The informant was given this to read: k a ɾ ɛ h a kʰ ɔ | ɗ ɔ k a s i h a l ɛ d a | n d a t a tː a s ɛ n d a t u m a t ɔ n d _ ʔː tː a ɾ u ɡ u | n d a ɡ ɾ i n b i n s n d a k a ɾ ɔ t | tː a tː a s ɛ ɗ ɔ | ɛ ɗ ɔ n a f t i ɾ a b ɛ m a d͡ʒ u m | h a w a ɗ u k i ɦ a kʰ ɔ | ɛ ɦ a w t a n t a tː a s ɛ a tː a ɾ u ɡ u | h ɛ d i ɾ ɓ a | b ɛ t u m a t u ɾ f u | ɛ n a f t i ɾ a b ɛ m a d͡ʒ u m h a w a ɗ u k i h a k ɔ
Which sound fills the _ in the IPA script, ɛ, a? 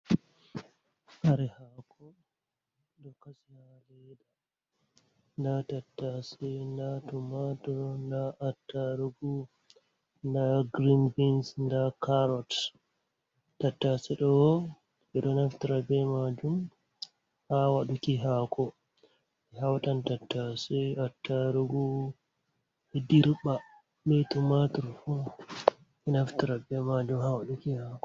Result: a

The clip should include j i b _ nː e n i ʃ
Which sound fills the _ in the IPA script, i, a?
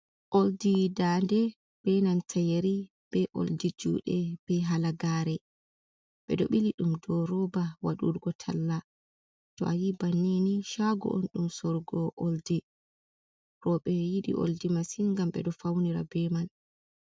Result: a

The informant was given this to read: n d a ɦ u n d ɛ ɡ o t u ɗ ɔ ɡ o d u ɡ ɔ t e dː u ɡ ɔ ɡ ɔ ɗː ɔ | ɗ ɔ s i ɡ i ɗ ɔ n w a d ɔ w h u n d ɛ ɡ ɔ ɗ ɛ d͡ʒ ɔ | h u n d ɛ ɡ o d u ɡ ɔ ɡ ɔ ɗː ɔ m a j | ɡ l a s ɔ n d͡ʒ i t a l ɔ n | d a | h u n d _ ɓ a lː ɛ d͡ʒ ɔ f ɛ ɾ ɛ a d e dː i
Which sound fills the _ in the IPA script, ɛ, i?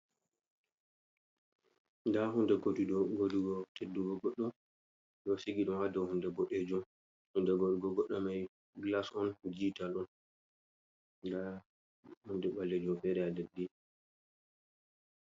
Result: ɛ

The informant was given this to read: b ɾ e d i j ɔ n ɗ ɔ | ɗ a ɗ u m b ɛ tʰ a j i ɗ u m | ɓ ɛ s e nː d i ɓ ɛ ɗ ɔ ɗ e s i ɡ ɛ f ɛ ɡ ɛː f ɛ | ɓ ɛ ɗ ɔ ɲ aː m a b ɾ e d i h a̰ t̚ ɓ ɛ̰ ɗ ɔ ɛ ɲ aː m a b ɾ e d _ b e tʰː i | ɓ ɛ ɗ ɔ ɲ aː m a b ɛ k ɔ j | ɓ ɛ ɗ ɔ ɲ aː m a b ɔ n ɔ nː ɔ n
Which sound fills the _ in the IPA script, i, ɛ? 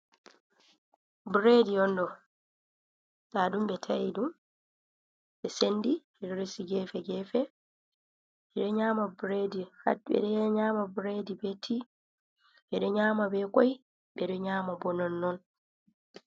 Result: i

